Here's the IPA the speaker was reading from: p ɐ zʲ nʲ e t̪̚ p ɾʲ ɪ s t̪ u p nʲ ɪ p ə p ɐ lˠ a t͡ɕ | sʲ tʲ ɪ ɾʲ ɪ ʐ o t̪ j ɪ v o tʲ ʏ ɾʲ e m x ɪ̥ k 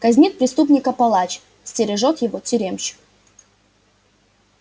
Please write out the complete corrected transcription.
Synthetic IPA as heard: k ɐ zʲ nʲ i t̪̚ p ɾʲ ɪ s t̪ u p nʲ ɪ k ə p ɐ lˠ a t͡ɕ | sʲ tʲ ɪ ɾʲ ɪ ʐ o t̪ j ɪ v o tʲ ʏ ɾʲ e m ɕ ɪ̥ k